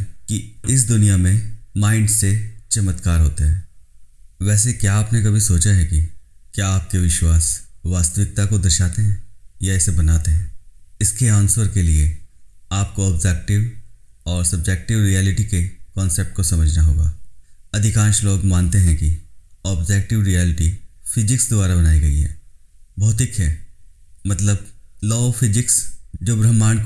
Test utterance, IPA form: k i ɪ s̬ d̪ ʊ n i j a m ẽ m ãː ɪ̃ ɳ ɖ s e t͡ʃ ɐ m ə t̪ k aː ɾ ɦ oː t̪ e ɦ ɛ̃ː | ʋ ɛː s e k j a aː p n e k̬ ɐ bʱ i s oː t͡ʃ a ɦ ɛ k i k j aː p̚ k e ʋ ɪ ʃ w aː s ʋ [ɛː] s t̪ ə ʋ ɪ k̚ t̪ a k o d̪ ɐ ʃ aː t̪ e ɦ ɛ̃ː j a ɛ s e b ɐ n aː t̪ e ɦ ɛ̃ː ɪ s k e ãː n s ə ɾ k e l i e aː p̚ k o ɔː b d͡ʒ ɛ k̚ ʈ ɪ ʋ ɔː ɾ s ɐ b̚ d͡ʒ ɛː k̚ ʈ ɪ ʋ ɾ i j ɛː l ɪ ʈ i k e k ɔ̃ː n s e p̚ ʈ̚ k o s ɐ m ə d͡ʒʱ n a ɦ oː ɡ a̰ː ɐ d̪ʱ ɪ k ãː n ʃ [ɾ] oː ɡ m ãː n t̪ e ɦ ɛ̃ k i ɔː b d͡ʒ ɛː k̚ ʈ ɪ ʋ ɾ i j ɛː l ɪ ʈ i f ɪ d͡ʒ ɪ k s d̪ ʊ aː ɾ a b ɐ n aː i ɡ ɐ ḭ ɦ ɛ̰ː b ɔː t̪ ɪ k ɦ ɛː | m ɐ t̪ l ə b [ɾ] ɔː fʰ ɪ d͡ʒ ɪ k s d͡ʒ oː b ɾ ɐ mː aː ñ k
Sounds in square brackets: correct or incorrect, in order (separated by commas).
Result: incorrect, incorrect, incorrect